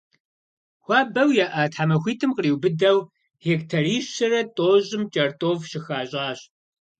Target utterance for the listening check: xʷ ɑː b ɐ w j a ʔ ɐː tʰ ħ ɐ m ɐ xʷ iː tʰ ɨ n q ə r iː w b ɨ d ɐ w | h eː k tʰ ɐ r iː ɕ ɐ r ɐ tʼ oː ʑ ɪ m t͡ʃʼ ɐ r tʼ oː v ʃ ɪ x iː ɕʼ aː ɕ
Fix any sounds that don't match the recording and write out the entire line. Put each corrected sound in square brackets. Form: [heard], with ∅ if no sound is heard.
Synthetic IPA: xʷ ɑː b ɐ w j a ʔ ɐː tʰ ħ [a] m ɐ xʷ iː tʰ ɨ [m] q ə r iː w b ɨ d ɐ w | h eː k tʰ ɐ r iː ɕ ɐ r ɐ tʼ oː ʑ ɪ m t͡ʃʼ ɐ r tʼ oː v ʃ ɪ x [aː] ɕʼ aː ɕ